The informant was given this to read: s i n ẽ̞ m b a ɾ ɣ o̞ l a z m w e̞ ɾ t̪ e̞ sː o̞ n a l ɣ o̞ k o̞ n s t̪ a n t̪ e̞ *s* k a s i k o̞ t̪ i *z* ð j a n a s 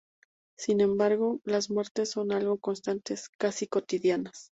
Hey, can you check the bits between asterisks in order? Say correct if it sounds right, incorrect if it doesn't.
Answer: correct, incorrect: none

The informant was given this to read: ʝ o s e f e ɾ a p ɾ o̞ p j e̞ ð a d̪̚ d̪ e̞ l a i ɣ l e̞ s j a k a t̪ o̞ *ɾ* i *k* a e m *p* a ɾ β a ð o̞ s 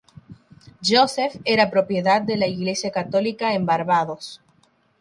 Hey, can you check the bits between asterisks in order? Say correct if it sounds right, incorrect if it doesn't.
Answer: incorrect: l, correct, incorrect: b

